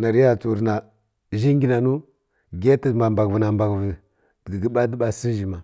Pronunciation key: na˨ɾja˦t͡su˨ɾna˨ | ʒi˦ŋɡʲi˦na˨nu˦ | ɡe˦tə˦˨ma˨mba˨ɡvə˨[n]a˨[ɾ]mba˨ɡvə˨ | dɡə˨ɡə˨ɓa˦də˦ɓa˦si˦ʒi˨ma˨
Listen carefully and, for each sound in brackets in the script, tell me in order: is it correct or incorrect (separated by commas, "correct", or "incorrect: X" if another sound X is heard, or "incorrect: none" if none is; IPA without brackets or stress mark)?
correct, incorrect: none